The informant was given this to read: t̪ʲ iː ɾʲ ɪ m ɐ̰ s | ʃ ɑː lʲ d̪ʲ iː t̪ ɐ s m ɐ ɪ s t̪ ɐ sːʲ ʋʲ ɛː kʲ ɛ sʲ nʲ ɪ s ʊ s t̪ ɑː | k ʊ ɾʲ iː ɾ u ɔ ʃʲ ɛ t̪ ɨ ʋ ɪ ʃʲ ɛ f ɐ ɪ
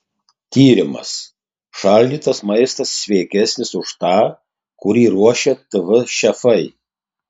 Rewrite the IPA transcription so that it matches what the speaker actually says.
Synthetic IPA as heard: t̪ʲ iː ɾʲ ɪ m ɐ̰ s | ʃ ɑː lʲ d̪ʲ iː t̪ ɐ s m ɐ ɪ s t̪ ɐ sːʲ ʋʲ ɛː kʲ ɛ sʲ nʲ ɪ s ʊ ʃ t̪ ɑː | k ʊ ɾʲ iː ɾ u ɔ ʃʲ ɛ t̪ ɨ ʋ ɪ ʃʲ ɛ f ɐ ɪ